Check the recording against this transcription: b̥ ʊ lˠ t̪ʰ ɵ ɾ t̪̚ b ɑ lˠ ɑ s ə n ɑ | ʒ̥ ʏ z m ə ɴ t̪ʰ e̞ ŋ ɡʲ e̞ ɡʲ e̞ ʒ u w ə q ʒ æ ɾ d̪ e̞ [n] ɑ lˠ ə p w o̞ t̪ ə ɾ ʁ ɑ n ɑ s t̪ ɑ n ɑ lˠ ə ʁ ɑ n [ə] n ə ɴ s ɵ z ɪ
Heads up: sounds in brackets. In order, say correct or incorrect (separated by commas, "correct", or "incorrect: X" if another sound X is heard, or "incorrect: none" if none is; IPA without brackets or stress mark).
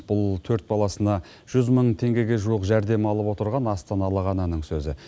incorrect: m, incorrect: ɑ